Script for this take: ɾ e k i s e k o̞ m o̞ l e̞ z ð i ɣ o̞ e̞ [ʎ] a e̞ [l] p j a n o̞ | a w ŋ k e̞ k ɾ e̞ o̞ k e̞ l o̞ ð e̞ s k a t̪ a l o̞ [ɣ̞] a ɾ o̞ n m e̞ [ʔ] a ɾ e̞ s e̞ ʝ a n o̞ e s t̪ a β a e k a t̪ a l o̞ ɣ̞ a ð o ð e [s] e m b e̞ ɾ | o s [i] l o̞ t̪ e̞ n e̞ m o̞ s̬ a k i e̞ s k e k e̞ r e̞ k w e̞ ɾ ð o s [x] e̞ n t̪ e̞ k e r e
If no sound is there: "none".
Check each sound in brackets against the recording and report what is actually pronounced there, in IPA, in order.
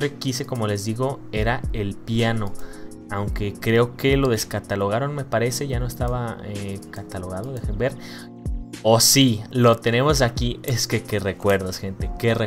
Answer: ɾ, l, ɣ̞, p, x, i, x

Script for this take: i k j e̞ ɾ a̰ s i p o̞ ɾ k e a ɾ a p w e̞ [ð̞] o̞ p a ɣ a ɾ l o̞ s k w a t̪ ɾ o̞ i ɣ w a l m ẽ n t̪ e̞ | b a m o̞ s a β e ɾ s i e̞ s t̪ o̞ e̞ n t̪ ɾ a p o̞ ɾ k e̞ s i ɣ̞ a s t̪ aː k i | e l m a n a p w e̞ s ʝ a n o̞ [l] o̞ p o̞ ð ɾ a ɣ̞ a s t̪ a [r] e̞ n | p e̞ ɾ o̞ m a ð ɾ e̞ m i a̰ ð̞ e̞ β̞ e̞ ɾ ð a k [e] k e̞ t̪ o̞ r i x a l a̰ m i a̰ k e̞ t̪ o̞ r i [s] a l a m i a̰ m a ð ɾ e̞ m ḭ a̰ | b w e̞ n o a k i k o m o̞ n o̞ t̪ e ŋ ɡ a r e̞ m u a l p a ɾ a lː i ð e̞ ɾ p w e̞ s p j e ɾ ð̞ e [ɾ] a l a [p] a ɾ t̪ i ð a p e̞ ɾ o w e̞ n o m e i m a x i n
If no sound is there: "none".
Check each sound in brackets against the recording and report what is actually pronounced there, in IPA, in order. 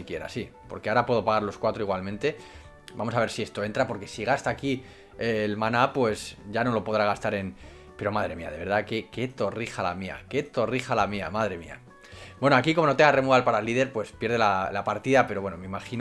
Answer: ð̞, l, ɾ, e, x, l, p

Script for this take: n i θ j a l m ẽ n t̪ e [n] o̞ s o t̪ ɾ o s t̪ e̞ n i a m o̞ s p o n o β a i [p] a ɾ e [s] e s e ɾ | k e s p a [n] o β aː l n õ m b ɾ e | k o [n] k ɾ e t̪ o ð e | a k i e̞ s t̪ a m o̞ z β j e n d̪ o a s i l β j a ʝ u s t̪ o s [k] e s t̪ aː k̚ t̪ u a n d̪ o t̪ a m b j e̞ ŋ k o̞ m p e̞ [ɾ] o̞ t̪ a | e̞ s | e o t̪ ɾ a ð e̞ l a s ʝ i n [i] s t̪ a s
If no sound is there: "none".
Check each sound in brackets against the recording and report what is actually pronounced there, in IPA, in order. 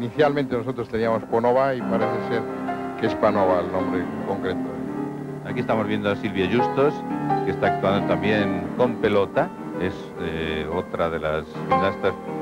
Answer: n, p, θ, n, ŋ, k, l, a

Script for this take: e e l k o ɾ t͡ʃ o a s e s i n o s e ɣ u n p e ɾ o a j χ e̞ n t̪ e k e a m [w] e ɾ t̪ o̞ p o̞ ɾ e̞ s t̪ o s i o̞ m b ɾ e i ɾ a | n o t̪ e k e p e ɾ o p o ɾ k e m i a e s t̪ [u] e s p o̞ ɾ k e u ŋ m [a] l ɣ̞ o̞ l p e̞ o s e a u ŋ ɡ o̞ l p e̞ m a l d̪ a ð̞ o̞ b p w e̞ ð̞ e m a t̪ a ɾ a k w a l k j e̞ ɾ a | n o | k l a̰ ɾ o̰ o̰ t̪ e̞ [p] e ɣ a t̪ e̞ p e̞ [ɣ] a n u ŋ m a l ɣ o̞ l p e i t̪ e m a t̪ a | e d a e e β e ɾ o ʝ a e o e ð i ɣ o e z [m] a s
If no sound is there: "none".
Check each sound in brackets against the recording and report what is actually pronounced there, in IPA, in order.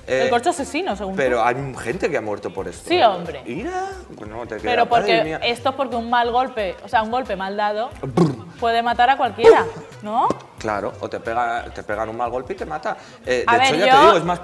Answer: w, o, a, p, ɣ, m

